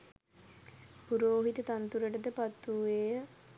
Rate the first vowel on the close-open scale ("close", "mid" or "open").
close